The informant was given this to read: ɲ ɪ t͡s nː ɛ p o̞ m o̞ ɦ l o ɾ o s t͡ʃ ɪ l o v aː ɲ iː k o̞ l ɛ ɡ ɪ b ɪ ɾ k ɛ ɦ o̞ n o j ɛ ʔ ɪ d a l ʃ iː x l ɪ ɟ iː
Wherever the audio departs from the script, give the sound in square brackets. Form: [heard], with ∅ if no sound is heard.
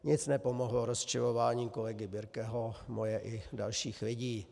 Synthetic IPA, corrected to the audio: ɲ ɪ t͡s [n] ɛ p o̞ m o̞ ɦ l o ɾ o s t͡ʃ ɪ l o v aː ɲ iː k o̞ l ɛ ɡ ɪ b ɪ ɾ k ɛ ɦ o̞ [m] o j ɛ ʔ ɪ d a l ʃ iː x l ɪ ɟ iː

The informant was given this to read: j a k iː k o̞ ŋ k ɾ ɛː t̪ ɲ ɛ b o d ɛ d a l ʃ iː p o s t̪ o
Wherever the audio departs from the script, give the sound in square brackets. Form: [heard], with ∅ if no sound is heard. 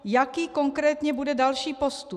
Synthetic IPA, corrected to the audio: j a k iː k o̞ ŋ k ɾ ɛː t̪ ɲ ɛ b [u] d ɛ d a l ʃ iː p o s t̪ [u]

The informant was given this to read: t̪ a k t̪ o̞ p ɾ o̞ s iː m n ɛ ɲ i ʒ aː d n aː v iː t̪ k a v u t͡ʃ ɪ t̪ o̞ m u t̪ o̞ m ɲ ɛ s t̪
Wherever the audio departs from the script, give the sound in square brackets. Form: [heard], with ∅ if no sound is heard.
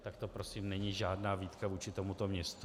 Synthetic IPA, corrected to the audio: t̪ a k t̪ o̞ p ɾ o̞ s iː m n ɛ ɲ i ʒ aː d n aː v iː t̪ k a v [uː] t͡ʃ ɪ t̪ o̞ m u t̪ o̞ m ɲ ɛ s t̪

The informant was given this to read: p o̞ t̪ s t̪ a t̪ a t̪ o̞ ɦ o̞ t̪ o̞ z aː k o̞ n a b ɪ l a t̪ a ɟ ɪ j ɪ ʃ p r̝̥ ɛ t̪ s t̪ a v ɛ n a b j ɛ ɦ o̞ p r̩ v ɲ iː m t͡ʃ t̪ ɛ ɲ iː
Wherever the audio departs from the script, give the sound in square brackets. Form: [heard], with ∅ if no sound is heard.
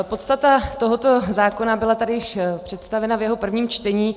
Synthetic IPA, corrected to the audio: p o̞ t̪ s t̪ a t̪ a t̪ o̞ ɦ o̞ t̪ o̞ z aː k o̞ n a b ɪ l a t̪ a [d] ɪ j ɪ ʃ p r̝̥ ɛ t̪ s t̪ a v ɛ n a [v] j ɛ ɦ o̞ p r̩ v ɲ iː m t͡ʃ t̪ ɛ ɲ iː

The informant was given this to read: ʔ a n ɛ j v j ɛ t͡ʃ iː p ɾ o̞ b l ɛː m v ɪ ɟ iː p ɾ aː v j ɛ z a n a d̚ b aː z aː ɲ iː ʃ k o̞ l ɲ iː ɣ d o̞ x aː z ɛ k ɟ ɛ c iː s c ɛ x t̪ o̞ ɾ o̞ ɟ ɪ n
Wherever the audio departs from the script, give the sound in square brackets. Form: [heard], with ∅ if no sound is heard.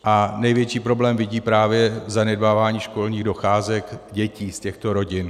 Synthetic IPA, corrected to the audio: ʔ a n ɛ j v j ɛ t͡ʃ iː p ɾ o̞ b l ɛː m v ɪ ɟ iː p ɾ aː v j ɛ z a n [ɛ] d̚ b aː [v] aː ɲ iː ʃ k o̞ l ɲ iː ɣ d o̞ x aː z ɛ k ɟ ɛ c iː s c ɛ x t̪ o̞ ɾ o̞ ɟ ɪ n

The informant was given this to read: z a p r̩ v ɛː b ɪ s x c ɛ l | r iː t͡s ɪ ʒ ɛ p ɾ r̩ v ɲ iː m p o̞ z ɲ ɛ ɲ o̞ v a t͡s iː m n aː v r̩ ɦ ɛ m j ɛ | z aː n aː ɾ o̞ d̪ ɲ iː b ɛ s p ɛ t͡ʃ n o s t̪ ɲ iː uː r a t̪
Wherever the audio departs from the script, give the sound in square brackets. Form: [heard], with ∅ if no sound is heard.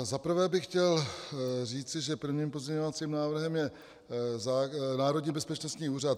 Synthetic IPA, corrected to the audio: z a p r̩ v ɛː b ɪ [x] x c ɛ l | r iː t͡s ɪ ʒ ɛ p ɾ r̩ v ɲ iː m p o̞ z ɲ ɛ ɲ o̞ v a t͡s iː m n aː v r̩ ɦ ɛ m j ɛ | z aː n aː ɾ o̞ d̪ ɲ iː b ɛ s p ɛ t͡ʃ n o s t̪ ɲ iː uː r a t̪

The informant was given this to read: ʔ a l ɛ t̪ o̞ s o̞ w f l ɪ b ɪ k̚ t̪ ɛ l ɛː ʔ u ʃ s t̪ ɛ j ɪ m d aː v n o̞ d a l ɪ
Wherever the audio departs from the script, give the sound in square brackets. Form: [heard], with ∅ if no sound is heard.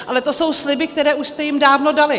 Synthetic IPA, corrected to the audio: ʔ a l ɛ t̪ o̞ s o̞ w [s] l ɪ b ɪ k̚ t̪ ɛ [ɾ] ɛː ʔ u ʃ s t̪ ɛ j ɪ m d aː v n o̞ d a l ɪ

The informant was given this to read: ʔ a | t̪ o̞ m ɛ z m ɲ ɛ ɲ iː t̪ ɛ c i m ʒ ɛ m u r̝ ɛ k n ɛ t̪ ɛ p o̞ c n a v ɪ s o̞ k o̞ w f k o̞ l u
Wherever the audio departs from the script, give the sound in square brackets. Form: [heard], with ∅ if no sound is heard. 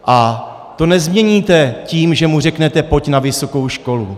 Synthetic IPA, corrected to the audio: ʔ a | t̪ o̞ [n] ɛ z m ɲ ɛ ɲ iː t̪ ɛ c [iː] m ʒ ɛ m u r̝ ɛ k n ɛ t̪ ɛ p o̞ c n a v ɪ s o̞ k o̞ w [ʃ] k o̞ l u

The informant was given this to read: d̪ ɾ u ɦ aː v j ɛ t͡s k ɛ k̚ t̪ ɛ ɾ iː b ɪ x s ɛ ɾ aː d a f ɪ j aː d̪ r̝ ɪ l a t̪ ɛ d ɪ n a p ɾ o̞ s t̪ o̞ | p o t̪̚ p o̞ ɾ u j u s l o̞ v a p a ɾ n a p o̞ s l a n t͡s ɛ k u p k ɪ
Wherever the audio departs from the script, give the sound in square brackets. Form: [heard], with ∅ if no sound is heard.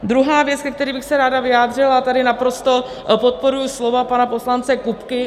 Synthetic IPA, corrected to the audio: d̪ ɾ u ɦ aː v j ɛ t͡s k ɛ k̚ t̪ ɛ ɾ iː b ɪ x s ɛ ɾ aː d a [v] ɪ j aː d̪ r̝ ɪ l a t̪ [a] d ɪ n a p ɾ o̞ s t̪ o̞ | p o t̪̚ p o̞ ɾ u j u s l o̞ v a p a [∅] n a p o̞ s l a n t͡s ɛ k u p k ɪ

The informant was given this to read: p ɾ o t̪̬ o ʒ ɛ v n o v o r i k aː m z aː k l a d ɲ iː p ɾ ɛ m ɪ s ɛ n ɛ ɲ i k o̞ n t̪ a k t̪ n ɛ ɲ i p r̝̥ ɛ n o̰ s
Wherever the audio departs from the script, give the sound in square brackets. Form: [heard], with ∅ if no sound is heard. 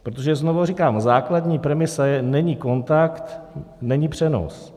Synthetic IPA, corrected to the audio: p ɾ o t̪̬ o ʒ ɛ [z] n o v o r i k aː m z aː k l a d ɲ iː p ɾ ɛ m ɪ s ɛ n ɛ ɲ i k o̞ n t̪ a k t̪ n ɛ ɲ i p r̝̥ ɛ n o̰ s

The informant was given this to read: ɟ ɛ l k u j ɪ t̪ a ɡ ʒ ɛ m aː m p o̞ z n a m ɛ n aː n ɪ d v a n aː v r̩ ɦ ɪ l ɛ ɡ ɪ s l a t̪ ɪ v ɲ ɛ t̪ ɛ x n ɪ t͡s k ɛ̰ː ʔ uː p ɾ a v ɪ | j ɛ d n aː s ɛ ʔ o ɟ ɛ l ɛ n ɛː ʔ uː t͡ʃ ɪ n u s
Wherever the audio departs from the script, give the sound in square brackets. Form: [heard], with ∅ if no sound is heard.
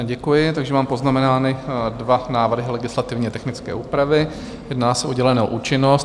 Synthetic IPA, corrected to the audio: ɟ ɛ [∅] k u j ɪ t̪ a ɡ ʒ ɛ m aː m p o̞ z n a m ɛ n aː n ɪ d v a n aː v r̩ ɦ ɪ l ɛ ɡ ɪ s l a t̪ ɪ v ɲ ɛ t̪ ɛ x n ɪ t͡s k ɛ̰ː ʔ uː p ɾ a v ɪ | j ɛ d n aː s ɛ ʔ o ɟ ɛ l ɛ n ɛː ʔ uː t͡ʃ ɪ n [o] s

